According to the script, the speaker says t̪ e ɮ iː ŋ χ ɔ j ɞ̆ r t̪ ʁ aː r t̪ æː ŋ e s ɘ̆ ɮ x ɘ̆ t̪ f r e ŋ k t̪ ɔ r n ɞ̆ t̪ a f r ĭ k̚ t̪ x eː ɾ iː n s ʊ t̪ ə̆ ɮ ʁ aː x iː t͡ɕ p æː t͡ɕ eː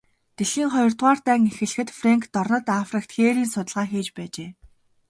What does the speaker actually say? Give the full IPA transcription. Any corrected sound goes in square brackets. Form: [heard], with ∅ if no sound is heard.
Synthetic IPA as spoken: t̪ e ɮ iː ŋ χ ɔ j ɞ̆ r t̪ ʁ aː r t̪ æː ŋ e [x] ɘ̆ ɮ x ɘ̆ t̪ f r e ŋ k t̪ ɔ r n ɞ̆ t̪ a f r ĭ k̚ t̪ x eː ɾ iː n s ʊ t̪ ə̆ ɮ ʁ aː x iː t͡ɕ p æː t͡ɕ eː